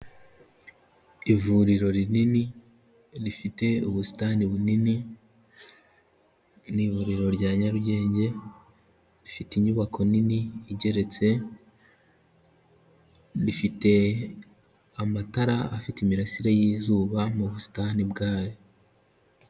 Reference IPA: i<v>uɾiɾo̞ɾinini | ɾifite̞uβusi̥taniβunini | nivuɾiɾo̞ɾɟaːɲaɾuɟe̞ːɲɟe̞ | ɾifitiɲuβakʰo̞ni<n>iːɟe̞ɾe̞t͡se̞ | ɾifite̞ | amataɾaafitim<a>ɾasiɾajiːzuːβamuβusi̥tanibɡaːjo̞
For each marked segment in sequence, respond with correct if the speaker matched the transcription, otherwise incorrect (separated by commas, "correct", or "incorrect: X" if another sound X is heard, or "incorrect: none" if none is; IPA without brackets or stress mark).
correct, correct, incorrect: i